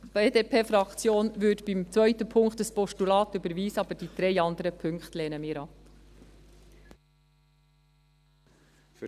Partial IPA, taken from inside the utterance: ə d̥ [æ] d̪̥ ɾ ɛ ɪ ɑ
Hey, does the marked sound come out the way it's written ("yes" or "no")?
no